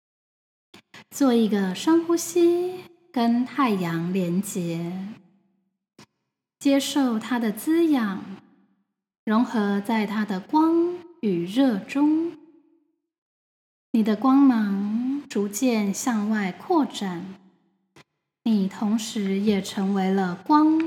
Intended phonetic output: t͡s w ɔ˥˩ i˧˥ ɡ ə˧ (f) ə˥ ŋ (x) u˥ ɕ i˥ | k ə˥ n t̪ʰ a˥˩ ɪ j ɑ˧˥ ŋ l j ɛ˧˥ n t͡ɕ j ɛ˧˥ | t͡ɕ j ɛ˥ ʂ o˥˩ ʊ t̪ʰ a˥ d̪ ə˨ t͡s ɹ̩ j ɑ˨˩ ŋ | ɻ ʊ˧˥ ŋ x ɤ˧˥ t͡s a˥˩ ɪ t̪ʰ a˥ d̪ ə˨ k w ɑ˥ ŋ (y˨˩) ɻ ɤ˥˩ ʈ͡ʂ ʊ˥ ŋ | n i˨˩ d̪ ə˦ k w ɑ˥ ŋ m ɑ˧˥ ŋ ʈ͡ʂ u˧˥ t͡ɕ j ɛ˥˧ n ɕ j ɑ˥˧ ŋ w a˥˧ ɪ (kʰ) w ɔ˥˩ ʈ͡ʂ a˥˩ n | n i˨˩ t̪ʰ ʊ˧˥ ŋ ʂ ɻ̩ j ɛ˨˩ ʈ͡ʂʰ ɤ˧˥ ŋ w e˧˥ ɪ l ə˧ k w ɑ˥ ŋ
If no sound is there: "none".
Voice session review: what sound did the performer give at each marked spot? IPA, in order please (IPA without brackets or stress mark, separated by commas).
ʂ, x, y˨˩, kʰ